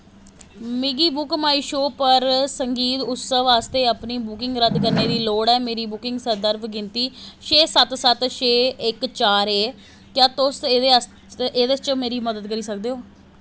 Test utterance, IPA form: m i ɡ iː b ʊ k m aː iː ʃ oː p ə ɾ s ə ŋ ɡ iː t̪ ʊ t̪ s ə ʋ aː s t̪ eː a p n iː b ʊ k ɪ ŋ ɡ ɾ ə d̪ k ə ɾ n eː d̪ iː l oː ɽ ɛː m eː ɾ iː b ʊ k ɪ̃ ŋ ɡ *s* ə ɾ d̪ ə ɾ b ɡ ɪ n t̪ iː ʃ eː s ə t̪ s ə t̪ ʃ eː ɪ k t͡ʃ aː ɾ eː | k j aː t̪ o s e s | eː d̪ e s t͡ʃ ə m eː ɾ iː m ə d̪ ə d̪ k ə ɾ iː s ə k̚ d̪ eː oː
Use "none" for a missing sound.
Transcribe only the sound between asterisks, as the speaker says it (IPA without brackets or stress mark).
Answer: s